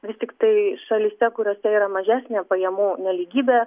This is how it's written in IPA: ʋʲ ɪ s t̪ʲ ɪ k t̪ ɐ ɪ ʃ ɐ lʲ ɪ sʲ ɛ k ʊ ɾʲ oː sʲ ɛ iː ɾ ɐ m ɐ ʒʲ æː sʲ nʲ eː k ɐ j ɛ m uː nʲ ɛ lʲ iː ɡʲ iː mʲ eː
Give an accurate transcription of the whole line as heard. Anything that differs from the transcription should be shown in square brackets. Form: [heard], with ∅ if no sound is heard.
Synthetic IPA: ʋʲ ɪ s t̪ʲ ɪ k t̪ ɐ ɪ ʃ ɐ lʲ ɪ sʲ ɛ k ʊ ɾʲ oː sʲ ɛ iː ɾ ɐ m ɐ ʒʲ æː sʲ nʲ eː [p] ɐ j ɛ m uː nʲ ɛ lʲ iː ɡʲ iː [bʲ] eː